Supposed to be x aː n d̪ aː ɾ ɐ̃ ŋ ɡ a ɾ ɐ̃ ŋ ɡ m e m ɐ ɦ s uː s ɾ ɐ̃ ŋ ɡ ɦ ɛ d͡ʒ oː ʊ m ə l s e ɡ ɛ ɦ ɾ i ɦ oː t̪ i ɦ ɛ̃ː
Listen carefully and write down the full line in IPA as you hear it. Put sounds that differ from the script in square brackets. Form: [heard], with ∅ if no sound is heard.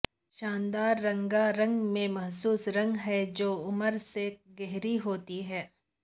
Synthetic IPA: [ʃ] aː n d̪ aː [ɾː] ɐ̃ ŋ ɡ a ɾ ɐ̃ ŋ ɡ m [ẽ] m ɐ ɦ s uː s ɾ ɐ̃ ŋ ɡ ɦ ɛ d͡ʒ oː ʊ m ə [ɾ] s e ɡ ɛ ɦ ɾ i ɦ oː t̪ i ɦ [ɛː]

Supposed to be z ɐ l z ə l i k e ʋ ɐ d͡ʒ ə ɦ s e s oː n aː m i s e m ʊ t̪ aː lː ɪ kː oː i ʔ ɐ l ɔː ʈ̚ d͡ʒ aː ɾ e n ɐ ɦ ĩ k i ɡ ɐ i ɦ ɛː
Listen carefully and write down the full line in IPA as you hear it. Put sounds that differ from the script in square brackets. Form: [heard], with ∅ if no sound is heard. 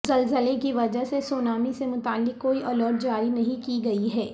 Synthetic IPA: z ɐ l z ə l [e] k [i] ʋ ɐ d͡ʒ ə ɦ s e s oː n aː m i s e m ʊ t̪ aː lː ɪ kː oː i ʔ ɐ l ɔː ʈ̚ d͡ʒ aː ɾ [i] n ɐ ɦ ĩ k i ɡ ɐ i ɦ ɛː

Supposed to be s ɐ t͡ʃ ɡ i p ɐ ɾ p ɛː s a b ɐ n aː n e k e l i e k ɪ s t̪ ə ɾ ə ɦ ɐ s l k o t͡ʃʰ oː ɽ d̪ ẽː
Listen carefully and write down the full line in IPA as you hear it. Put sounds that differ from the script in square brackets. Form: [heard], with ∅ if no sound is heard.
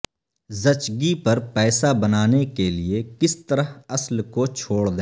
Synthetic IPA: [z] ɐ t͡ʃ ɡ i p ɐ ɾ p ɛː s a b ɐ n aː n e k e l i e k ɪ s t̪ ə ɾ ə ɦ ɐ s l k o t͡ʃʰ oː ɽ d̪ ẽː

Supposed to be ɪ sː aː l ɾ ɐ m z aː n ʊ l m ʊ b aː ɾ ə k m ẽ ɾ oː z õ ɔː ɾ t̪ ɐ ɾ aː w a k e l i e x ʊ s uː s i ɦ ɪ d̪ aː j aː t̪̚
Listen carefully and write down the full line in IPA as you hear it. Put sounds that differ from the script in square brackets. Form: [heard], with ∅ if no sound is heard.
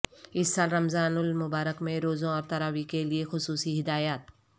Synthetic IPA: ɪ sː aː l ɾ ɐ m z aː n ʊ l m ʊ b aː ɾ ə k m ẽ ɾ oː z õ ɔː ɾ t̪ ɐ ɾ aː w [i] k e l i e x ʊ s uː s i ɦ ɪ d̪ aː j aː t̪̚

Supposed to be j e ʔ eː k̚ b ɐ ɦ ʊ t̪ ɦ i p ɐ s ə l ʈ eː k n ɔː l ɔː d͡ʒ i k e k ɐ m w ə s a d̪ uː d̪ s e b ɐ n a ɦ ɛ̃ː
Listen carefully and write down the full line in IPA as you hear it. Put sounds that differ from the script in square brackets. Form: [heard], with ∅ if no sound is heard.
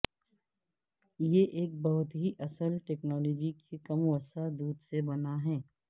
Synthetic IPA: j e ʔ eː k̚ b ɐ ɦ ʊ t̪ ɦ i [ʔ] ɐ s ə l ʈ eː k n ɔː l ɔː d͡ʒ i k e k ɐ m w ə s a d̪ uː d̪ s e b ɐ n a ɦ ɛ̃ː

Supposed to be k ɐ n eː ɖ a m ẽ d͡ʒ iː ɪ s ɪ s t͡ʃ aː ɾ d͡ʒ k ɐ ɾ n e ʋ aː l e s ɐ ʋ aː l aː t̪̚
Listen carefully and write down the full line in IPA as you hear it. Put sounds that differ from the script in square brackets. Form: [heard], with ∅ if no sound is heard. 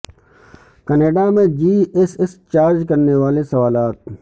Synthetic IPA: k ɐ n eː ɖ a m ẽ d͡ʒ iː ɪ s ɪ s t͡ʃ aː ɾ d͡ʒ k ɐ ɾ n e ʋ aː l e s ɐ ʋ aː l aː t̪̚

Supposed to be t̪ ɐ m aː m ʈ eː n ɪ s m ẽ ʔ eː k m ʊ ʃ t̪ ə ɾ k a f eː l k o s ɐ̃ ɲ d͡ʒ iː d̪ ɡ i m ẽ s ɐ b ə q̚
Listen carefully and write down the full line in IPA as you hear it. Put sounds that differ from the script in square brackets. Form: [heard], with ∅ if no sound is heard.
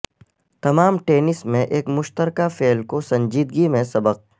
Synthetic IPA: t̪ ɐ m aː m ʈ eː n ɪ s m ẽ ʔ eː k m ʊ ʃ t̪ ə ɾ k a f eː l k o s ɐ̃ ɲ d͡ʒ iː d̪ ɡ i m ẽ s ɐ b ə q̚

